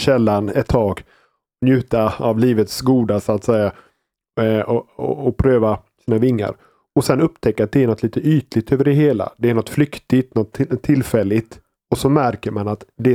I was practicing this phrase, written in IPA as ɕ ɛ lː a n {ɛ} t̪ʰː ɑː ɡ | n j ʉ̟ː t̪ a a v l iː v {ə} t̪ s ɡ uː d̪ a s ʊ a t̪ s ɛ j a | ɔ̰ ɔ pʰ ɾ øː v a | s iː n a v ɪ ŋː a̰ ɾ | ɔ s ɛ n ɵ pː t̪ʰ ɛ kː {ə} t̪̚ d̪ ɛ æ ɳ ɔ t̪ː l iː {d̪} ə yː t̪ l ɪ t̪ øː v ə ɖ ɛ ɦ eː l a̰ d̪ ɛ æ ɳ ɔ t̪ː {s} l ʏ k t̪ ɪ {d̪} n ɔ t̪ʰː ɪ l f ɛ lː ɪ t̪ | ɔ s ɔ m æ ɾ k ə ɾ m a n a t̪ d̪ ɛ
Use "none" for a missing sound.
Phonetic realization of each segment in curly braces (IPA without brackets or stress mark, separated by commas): ɛ, ə, a, t̪, f, t̪